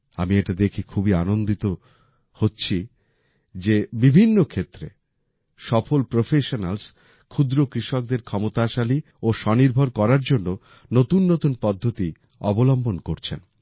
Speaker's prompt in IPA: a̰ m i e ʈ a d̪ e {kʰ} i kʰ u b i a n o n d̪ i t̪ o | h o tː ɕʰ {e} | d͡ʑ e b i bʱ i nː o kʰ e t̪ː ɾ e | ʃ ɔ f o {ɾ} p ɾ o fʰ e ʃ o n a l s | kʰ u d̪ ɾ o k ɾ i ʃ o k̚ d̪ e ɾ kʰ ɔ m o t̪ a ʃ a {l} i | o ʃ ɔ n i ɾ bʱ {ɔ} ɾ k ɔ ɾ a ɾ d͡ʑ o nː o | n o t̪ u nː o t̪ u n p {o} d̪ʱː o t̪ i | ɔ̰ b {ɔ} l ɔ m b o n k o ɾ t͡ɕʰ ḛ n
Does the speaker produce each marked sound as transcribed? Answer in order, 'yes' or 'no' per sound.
yes, no, no, yes, no, no, no

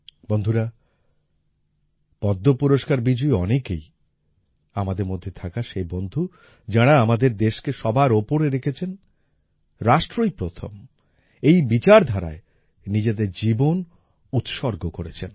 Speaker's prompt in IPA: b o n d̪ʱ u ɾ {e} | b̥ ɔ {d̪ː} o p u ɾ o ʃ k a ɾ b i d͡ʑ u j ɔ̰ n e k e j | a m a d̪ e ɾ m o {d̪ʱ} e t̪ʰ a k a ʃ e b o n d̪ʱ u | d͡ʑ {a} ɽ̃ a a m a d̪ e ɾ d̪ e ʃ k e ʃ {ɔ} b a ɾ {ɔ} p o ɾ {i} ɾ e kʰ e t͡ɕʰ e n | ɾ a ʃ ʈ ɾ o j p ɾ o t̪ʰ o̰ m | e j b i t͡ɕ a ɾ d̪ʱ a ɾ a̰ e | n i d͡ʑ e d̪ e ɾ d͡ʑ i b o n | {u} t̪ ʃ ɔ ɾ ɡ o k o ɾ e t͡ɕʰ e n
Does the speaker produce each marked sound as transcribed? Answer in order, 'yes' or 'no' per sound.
no, yes, no, yes, yes, no, no, yes

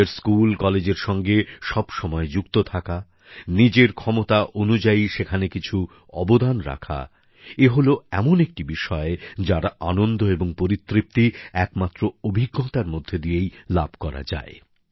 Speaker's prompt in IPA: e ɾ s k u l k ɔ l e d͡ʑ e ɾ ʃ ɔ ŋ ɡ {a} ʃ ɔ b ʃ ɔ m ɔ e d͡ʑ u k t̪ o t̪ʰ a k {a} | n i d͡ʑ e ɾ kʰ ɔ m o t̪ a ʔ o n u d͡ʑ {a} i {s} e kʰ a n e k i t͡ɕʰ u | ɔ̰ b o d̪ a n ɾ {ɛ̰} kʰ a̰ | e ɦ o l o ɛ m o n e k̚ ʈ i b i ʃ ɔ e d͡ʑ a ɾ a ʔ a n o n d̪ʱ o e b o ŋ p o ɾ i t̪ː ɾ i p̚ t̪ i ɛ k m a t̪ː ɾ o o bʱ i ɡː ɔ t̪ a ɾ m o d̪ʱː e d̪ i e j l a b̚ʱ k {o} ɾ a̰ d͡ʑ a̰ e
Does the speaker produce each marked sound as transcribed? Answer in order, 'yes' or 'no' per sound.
no, yes, yes, no, no, no

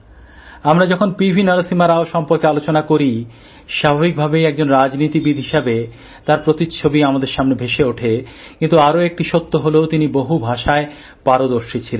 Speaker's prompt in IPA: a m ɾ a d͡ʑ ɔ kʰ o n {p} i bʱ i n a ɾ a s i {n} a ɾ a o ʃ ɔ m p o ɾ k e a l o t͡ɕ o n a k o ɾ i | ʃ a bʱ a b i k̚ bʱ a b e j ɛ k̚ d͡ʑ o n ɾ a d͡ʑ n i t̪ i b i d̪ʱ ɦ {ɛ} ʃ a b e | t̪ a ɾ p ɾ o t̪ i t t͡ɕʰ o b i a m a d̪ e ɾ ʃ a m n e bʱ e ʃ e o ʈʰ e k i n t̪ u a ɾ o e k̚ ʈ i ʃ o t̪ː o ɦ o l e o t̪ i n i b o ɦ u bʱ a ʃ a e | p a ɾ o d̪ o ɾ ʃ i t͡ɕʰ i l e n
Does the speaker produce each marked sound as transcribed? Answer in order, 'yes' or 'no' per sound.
yes, no, no

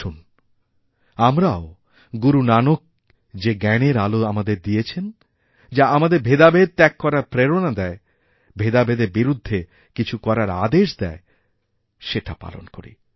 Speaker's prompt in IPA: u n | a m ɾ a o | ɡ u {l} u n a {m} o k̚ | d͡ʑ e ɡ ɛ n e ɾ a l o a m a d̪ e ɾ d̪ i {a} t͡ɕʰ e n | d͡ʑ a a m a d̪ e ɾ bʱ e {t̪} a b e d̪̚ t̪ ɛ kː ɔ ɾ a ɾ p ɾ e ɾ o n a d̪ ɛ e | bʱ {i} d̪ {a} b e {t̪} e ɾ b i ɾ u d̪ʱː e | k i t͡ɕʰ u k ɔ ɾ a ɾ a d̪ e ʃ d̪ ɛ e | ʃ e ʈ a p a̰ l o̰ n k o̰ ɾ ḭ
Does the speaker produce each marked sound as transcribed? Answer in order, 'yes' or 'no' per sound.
no, no, no, no, no, yes, no

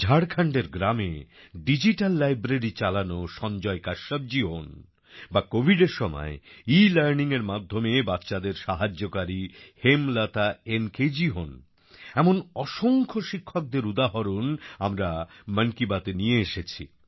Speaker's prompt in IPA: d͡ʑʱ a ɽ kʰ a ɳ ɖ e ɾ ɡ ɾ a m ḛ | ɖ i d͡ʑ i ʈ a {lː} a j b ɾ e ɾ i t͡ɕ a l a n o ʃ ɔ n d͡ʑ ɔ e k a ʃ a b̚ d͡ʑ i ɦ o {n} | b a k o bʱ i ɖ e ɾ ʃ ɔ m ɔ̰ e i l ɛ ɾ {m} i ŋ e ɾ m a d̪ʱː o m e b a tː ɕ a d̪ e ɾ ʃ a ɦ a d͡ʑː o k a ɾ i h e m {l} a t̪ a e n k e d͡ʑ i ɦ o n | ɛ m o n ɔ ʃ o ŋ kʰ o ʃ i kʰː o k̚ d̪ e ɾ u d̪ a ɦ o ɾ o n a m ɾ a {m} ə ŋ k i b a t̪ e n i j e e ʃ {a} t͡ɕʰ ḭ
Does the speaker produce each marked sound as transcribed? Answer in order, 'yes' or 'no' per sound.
yes, yes, no, yes, yes, no

